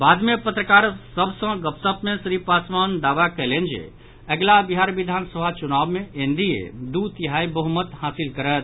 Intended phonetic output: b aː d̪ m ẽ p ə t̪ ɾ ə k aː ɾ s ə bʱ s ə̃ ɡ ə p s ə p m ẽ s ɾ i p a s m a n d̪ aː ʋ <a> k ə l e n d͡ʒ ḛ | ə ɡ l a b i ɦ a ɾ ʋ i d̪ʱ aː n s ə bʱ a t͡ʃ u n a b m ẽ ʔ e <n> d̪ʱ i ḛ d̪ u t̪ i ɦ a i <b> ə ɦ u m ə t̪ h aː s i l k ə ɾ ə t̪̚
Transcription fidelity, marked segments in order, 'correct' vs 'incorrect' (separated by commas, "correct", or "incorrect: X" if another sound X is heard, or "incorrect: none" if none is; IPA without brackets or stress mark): correct, correct, correct